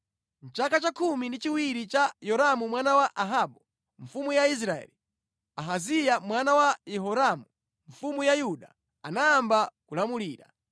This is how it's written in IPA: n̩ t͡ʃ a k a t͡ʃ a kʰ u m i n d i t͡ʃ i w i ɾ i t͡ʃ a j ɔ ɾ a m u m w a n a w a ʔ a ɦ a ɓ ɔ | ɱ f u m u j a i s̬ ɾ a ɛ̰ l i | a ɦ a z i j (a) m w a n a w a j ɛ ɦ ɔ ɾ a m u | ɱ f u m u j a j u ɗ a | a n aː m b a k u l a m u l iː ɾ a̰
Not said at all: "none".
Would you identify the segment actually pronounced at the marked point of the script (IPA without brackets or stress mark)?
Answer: a